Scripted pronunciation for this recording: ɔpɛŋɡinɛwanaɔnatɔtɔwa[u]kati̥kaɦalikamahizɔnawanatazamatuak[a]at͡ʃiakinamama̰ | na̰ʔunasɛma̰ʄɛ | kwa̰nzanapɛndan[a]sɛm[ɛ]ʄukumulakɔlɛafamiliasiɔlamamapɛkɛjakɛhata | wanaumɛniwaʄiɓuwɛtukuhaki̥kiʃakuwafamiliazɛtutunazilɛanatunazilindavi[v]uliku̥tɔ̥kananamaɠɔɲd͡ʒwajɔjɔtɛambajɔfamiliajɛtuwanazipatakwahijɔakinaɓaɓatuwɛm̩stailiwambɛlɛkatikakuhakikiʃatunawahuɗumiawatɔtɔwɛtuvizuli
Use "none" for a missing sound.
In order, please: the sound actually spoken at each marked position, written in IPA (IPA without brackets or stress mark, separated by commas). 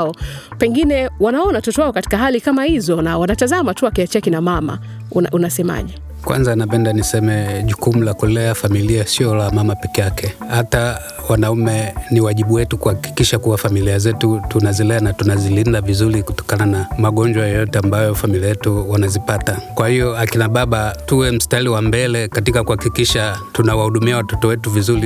ɔ, i, i, ɛ, z